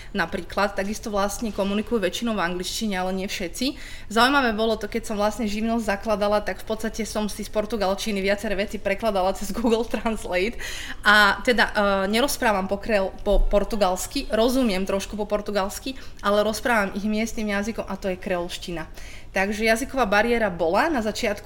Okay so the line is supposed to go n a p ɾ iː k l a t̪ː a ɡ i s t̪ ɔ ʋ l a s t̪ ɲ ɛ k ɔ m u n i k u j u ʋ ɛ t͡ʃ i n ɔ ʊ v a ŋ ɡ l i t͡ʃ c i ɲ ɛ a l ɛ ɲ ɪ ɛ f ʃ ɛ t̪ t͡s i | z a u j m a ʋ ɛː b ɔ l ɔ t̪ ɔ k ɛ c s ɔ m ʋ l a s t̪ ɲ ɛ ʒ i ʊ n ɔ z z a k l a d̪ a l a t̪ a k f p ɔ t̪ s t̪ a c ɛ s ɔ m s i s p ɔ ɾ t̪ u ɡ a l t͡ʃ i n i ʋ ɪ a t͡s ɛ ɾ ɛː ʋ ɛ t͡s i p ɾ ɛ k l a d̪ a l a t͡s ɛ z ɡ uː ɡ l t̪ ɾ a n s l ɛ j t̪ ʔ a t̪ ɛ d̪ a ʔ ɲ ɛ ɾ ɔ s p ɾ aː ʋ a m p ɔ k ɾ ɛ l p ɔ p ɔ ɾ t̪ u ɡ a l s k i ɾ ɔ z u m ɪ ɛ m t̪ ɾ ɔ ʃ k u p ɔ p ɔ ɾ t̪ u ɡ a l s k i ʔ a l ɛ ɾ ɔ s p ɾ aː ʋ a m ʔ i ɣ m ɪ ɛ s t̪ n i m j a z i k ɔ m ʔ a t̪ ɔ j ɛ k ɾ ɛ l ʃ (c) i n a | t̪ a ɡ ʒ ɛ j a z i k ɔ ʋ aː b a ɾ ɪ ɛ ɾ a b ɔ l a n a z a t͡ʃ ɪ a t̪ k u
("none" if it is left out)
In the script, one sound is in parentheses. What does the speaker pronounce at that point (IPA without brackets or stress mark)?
c